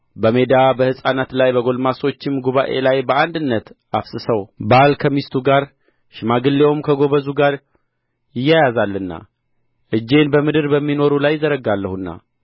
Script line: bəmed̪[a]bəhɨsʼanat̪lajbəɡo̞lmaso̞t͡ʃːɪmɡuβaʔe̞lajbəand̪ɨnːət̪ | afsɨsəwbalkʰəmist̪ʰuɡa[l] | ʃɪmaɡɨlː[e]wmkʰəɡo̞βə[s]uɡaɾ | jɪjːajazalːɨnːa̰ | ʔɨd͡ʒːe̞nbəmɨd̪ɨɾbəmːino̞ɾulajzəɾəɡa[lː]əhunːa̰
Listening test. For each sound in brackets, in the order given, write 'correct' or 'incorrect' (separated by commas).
correct, incorrect, correct, incorrect, correct